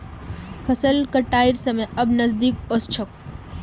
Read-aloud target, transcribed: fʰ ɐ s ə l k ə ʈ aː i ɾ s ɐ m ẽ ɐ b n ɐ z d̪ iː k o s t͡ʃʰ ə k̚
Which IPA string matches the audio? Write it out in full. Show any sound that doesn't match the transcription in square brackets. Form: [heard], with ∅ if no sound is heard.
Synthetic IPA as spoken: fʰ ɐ s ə l k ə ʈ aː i ɾ s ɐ m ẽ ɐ b n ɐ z d̪ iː k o s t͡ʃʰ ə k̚

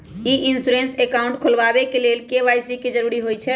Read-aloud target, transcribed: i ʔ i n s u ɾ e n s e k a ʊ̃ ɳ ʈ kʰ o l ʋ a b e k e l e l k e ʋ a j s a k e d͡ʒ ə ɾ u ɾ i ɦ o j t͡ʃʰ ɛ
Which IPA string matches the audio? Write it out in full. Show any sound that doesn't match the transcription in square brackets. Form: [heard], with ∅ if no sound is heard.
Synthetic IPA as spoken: i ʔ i n s u ɾ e n s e k a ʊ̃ ɳ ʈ kʰ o l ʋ a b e k e l e l k e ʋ a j s [i] k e d͡ʒ ə ɾ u ɾ i ɦ o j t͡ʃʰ ɛ

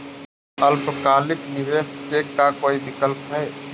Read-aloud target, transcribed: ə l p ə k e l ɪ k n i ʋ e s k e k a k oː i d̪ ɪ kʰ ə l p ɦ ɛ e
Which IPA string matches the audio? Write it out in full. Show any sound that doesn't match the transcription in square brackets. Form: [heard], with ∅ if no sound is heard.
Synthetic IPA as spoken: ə l p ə k [a] l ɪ k n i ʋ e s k e k a k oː i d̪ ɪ [k] ə l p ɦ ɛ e

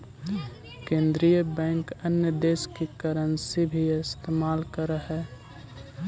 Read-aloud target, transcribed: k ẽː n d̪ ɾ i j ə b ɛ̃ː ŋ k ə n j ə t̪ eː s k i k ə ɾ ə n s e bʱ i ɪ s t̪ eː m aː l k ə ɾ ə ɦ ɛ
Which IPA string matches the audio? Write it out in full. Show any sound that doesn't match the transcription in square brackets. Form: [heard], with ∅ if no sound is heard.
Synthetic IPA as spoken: k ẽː n d̪ ɾ i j ə b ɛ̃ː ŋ k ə n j ə [d̪] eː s k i k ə ɾ ə n s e bʱ i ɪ s t̪ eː m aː l k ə ɾ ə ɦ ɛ

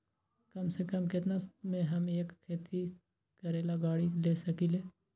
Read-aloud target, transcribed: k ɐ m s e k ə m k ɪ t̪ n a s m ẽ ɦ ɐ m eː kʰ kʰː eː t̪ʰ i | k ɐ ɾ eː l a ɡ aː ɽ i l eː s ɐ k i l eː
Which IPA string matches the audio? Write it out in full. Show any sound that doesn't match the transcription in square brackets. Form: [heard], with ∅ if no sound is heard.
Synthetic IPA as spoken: k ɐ m s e k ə m k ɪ t̪ n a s m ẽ ɦ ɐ m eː [k] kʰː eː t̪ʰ i | k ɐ ɾ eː l a ɡ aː ɽ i l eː s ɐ k i l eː

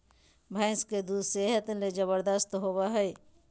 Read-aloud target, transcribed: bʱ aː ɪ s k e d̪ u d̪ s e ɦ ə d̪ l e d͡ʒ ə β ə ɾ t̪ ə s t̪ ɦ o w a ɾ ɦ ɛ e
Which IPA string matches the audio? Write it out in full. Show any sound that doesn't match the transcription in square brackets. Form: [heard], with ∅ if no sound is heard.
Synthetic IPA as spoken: bʱ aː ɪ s k e d̪ u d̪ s e ɦ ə [t̪] l e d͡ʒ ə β ə ɾ [d̪] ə s t̪ ɦ o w a [∅] ɦ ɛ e

